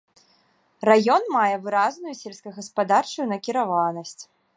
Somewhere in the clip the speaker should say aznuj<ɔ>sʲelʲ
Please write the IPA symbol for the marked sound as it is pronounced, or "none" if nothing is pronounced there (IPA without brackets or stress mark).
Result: u